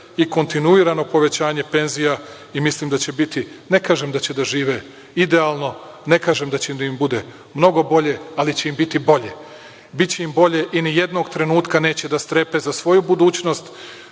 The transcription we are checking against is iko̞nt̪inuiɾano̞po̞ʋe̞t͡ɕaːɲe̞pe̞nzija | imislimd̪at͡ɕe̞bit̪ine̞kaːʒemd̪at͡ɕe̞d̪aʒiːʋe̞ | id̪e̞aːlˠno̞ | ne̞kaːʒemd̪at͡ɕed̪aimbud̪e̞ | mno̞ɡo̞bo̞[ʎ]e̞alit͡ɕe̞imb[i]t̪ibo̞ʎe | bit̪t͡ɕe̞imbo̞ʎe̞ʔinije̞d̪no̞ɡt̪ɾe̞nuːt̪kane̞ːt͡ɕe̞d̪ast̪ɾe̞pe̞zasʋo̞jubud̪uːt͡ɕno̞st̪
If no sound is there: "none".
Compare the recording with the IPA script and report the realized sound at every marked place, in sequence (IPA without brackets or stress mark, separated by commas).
ʎ, i